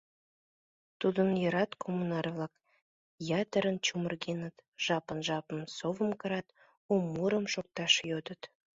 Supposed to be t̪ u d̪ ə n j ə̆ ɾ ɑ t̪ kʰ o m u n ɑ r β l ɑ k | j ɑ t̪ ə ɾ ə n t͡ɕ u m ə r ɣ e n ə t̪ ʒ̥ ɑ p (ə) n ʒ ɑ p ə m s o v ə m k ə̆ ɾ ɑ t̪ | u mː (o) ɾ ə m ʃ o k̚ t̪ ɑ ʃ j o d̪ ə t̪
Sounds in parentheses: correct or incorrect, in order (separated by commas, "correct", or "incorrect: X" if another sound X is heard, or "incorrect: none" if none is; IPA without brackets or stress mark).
correct, incorrect: u